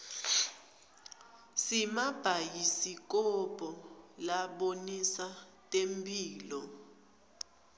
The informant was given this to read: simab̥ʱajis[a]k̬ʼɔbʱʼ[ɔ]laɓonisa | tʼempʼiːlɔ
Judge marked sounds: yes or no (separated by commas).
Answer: no, yes